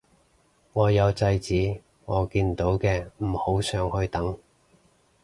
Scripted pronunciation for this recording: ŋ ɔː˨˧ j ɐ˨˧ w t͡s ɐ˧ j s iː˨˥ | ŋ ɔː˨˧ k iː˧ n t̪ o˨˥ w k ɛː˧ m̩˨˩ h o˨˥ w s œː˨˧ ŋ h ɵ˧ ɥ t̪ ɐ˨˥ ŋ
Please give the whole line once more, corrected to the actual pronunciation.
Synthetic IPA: ŋ ɔː˨˧ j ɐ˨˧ w t͡s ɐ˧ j t͡s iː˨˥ | ŋ ɔː˨˧ k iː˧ n t̪ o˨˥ w k ɛː˧ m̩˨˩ h o˨˥ w s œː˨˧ ŋ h ɵ˧ ɥ t̪ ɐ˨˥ ŋ